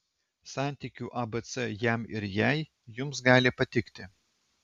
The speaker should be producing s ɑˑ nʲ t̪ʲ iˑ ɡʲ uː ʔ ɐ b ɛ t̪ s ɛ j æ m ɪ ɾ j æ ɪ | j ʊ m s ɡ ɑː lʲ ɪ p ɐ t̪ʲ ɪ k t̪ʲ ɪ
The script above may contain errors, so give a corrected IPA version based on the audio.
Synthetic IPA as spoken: s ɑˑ nʲ t̪ʲ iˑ kʲ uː ʔ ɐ b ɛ t̪ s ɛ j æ m ɪ ɾ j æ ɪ | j ʊ m s ɡ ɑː lʲ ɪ p ɐ t̪ʲ ɪ k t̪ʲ ɪ